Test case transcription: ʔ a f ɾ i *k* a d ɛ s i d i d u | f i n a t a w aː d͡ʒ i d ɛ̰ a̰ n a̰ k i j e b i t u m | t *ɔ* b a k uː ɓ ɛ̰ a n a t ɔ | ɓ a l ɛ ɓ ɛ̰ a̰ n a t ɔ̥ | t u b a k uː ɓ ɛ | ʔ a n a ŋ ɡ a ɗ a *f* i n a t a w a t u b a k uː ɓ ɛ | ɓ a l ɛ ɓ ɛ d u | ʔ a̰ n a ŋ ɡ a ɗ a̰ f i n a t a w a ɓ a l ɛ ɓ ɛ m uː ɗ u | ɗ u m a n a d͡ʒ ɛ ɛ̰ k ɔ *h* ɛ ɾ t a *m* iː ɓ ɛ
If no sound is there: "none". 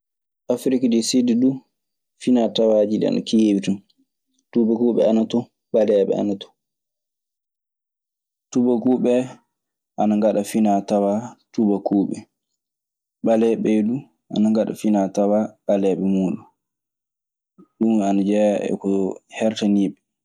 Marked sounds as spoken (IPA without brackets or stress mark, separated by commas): k, u, f, h, n